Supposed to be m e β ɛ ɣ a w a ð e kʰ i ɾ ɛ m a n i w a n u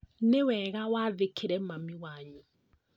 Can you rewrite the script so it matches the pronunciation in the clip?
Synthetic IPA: n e w ɛ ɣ a w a ð e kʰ e ɾ ɛ m a m i w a ɲ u